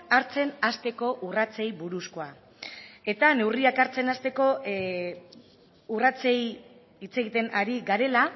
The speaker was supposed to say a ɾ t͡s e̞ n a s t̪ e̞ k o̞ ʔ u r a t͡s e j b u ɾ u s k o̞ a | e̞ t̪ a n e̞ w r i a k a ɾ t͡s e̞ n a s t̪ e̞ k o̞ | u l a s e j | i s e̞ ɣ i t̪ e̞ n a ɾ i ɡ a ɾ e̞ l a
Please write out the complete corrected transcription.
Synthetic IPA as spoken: a ɾ t͡s e̞ n a s t̪ e̞ k o̞ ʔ u r a t͡s e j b u ɾ u s k o̞ a | e̞ t̪ a n e̞ w r i a k a ɾ t͡s e̞ n a s t̪ e̞ k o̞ | u r a t͡s e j | i t͡s e̞ ɣ i t̪ e̞ n a ɾ i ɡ a ɾ e̞ l a